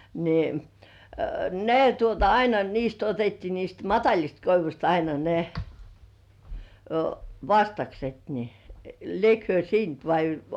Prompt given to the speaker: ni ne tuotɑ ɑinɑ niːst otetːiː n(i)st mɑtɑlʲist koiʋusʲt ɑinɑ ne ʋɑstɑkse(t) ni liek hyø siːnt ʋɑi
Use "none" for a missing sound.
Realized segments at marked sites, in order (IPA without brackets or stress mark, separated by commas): iː, t